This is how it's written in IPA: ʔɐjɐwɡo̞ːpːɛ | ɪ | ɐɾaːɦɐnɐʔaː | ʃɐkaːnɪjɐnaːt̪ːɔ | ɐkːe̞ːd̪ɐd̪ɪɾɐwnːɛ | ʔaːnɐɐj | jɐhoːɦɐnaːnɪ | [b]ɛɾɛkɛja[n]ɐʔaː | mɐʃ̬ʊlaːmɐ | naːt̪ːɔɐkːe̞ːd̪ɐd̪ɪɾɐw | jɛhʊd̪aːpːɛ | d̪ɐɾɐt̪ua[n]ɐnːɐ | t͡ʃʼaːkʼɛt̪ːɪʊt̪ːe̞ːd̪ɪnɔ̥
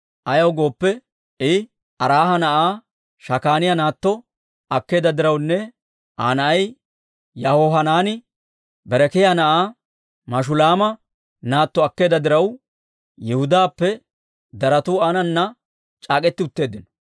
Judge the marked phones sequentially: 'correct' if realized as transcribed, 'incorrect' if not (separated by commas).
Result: correct, correct, correct